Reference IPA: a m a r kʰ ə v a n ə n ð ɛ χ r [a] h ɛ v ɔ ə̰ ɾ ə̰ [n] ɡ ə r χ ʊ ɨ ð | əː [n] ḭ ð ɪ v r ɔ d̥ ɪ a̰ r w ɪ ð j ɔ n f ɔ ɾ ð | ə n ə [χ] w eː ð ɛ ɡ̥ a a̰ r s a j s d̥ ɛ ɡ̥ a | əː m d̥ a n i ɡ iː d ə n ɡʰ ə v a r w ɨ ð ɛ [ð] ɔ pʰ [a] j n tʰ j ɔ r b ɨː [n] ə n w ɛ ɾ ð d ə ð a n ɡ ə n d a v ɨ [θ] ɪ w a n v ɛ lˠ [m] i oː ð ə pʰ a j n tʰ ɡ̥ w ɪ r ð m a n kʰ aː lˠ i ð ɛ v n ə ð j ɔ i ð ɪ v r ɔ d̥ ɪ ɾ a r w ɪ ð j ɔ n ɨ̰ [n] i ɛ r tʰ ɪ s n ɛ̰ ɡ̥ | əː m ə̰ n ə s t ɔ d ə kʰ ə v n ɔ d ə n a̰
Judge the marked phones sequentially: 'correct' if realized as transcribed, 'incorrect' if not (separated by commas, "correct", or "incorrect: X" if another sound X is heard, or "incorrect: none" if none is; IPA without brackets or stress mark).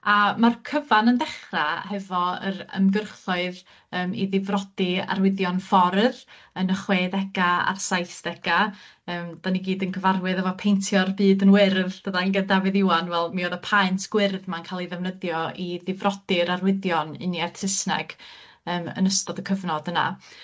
correct, incorrect: m, incorrect: m, correct, incorrect: v, incorrect: e, incorrect: d, incorrect: ð, correct, correct